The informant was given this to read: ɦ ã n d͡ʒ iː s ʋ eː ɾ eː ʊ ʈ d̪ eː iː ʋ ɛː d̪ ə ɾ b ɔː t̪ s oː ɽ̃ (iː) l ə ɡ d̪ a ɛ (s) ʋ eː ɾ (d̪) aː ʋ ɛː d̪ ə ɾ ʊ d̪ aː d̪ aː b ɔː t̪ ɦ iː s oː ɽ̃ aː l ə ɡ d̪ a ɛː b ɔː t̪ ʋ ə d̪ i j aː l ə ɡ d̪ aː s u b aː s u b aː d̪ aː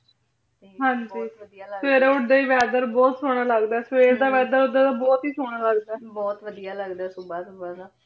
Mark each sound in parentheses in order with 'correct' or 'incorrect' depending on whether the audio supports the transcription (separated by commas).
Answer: incorrect, correct, correct